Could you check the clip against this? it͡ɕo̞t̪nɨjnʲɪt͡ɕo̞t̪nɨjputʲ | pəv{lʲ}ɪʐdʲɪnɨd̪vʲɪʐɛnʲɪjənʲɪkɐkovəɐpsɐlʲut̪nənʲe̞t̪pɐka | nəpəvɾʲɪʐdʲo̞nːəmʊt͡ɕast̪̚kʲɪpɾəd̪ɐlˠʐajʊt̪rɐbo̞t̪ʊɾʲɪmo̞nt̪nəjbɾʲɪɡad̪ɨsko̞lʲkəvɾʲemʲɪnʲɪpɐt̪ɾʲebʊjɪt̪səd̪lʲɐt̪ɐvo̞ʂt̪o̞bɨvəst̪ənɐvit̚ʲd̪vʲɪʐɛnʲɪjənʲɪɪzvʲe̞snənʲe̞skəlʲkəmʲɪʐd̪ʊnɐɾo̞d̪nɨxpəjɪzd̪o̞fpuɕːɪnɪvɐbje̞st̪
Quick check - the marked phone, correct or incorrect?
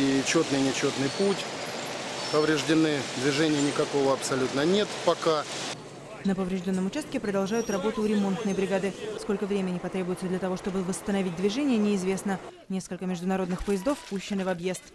incorrect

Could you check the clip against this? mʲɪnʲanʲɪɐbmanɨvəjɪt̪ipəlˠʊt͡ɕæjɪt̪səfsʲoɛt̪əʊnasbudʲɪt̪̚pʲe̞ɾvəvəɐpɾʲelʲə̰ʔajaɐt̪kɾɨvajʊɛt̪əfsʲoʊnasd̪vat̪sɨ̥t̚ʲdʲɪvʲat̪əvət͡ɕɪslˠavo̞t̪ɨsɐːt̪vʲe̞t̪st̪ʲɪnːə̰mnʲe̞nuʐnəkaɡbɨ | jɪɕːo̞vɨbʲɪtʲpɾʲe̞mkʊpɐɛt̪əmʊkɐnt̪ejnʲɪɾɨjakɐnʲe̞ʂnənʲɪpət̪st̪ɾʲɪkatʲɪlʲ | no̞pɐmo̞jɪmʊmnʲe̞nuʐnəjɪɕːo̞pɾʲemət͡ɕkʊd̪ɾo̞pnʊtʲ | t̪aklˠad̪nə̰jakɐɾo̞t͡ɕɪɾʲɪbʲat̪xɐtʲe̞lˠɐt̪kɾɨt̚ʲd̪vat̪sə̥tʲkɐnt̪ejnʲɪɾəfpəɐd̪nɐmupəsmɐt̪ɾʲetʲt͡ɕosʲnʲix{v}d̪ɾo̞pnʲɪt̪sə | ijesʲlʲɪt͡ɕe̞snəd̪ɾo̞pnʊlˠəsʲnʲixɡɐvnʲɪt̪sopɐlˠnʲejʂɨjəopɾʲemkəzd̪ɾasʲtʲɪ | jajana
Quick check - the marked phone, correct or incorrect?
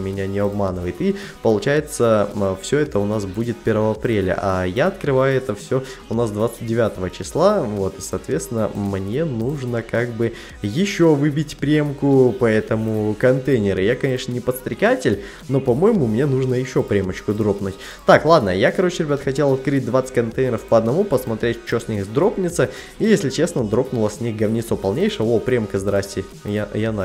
incorrect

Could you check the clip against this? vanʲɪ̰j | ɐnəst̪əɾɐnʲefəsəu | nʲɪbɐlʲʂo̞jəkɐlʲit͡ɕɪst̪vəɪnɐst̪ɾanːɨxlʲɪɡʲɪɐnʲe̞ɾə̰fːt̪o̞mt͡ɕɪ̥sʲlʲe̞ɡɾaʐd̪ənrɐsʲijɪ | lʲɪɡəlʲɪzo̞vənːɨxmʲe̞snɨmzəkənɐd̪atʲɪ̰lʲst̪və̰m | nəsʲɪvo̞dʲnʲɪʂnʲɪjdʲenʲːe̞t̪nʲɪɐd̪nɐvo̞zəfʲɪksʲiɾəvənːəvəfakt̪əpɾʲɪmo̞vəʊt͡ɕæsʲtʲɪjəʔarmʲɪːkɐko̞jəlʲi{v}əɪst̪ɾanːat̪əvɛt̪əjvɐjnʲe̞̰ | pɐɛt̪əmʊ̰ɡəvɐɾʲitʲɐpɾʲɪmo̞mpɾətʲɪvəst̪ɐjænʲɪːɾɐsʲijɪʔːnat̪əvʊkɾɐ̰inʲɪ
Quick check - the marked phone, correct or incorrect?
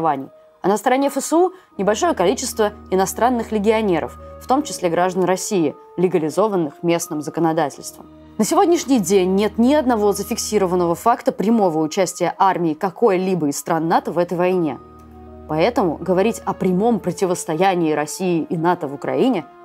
incorrect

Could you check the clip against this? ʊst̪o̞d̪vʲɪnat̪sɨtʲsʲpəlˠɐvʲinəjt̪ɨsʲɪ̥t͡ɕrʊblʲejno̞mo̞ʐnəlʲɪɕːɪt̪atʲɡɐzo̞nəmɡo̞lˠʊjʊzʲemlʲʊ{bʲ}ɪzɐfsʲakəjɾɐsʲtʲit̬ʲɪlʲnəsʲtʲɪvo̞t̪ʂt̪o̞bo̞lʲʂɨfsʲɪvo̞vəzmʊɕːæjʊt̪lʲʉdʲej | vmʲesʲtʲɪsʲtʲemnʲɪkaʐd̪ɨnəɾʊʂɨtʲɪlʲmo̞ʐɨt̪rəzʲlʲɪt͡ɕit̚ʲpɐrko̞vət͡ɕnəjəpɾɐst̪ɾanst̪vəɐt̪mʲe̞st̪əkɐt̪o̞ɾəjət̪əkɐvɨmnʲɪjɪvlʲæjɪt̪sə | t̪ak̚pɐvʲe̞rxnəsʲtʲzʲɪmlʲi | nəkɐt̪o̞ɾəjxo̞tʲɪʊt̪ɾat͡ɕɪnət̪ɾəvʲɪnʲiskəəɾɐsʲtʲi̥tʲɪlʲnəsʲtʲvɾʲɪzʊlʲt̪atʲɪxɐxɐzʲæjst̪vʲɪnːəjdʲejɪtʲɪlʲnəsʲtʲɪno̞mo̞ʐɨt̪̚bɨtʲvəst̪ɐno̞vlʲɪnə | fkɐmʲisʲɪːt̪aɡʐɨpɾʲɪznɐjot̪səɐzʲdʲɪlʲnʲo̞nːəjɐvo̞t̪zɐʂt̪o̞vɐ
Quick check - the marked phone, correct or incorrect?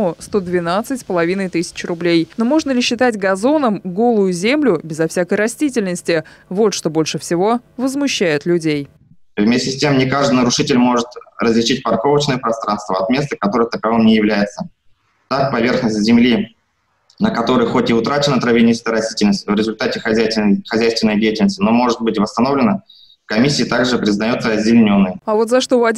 correct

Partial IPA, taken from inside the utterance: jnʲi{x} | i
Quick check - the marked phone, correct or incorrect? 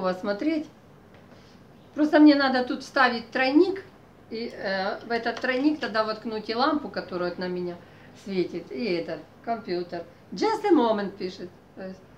incorrect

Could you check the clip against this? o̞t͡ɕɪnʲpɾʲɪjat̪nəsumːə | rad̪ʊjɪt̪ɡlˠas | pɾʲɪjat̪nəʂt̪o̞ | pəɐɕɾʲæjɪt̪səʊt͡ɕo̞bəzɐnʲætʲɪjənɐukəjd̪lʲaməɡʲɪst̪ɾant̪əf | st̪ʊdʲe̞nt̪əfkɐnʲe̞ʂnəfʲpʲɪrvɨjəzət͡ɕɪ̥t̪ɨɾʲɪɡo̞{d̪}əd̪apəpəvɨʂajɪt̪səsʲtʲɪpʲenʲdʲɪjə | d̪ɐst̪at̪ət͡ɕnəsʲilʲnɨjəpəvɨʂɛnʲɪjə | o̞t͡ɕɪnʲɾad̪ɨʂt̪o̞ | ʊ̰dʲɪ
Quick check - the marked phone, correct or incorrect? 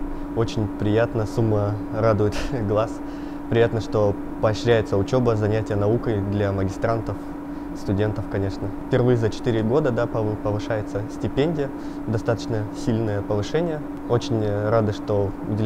correct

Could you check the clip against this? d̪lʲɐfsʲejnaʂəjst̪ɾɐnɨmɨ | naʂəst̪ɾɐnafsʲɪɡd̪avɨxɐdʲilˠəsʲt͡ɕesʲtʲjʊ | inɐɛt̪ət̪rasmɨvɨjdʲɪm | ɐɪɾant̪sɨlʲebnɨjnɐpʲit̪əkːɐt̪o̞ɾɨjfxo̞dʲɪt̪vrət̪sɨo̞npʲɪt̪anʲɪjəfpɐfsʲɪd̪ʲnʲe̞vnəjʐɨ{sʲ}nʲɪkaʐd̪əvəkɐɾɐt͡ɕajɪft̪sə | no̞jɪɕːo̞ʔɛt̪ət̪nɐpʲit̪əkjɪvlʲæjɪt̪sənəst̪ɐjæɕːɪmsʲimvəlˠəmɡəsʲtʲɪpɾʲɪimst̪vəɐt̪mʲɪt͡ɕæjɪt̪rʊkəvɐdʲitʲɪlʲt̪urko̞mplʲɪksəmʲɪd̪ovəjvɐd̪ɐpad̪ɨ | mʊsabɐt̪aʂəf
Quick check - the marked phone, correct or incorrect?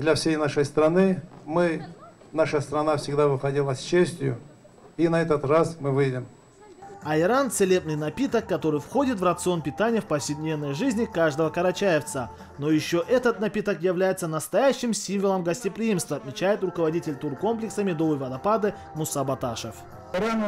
incorrect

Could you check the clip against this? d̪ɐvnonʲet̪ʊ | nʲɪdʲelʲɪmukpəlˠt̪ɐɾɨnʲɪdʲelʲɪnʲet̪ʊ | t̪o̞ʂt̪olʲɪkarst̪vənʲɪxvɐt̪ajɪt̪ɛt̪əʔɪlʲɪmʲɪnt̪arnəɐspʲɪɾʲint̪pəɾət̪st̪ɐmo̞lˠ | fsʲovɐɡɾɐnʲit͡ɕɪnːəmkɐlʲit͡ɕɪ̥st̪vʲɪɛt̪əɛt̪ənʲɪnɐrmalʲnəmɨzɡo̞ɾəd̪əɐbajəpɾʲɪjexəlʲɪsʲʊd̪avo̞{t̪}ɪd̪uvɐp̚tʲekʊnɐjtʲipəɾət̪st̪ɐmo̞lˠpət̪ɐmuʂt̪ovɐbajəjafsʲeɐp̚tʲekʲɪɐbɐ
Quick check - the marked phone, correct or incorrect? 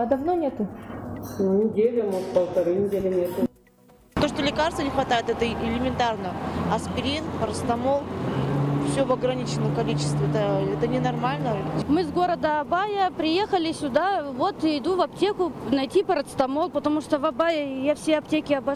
correct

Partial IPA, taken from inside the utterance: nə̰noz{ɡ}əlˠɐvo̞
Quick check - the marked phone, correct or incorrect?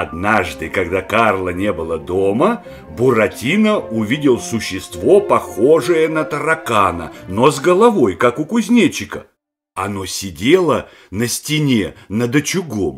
correct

